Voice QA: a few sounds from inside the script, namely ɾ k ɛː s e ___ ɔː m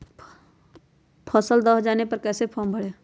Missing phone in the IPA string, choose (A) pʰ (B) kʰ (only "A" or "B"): A